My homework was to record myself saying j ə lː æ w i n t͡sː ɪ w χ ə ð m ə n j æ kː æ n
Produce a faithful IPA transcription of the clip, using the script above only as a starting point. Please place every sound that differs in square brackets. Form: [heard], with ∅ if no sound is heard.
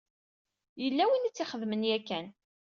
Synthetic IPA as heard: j ə lː æ w i n t͡sː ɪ [∅] χ ə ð m ə n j æ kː æ n

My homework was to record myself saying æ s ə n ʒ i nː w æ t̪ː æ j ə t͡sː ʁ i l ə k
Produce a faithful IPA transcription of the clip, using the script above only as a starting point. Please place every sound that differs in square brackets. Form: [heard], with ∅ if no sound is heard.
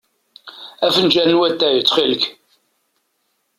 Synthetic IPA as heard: æ [f] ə n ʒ [æ] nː w æ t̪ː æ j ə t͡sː [χ] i l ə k

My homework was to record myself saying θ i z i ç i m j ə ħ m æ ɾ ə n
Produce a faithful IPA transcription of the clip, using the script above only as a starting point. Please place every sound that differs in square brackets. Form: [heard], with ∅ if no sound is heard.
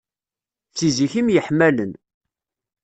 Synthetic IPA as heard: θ i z i ç i m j ə ħ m æ [l] ə n

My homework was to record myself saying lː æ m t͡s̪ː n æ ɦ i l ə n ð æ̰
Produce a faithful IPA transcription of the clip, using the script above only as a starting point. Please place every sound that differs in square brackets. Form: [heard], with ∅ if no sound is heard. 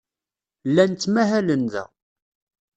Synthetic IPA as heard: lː æ [n] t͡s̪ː [m] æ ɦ [æ] l ə n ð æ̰

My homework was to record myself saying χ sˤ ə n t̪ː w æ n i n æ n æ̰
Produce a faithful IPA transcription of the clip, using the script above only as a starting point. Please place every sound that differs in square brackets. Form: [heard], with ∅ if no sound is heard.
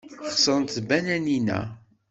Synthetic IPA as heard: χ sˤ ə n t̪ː [b] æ n [æ] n [i] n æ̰

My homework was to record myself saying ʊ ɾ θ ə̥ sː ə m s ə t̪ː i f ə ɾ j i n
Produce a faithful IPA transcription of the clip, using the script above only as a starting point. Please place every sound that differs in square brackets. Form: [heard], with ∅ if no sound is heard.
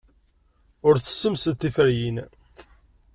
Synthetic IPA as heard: ʊ ɾ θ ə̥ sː ə m s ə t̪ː i f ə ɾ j i n

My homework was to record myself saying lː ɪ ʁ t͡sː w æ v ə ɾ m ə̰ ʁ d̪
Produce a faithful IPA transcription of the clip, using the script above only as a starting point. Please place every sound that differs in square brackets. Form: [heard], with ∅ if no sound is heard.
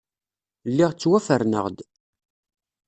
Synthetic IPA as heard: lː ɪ ʁ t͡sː w æ [f] ə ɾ [n] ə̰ ʁ d̪

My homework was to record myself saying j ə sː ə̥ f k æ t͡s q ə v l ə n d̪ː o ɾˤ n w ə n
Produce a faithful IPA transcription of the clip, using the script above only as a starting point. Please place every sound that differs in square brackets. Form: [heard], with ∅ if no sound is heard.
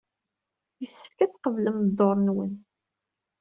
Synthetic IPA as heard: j ə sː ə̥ f k æ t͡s q ə v l ə [m] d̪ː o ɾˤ n w ə n

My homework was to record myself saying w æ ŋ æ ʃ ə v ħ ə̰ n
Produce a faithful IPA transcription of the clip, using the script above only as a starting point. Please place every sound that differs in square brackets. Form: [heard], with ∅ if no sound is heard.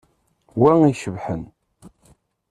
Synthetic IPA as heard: w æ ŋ [i] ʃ ə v ħ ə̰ n

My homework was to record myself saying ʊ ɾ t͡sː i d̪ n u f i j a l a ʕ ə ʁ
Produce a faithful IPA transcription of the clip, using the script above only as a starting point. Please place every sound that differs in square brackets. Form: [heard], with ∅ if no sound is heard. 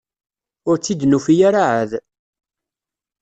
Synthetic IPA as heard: ʊ ɾ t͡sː i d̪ n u f i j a [ɾ] a ʕ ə [ð]

